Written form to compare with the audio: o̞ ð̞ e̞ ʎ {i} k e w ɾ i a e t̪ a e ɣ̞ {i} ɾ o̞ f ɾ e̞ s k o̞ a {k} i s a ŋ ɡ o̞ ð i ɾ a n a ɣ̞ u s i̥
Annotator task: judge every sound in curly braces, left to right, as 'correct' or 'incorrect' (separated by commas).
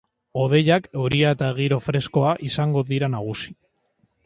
incorrect, correct, incorrect